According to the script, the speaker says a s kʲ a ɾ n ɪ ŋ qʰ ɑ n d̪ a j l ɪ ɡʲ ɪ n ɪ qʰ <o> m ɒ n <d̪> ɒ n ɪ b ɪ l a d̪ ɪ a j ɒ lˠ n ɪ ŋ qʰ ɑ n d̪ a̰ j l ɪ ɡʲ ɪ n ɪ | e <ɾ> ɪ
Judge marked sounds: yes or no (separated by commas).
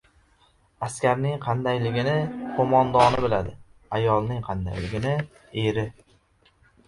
yes, yes, yes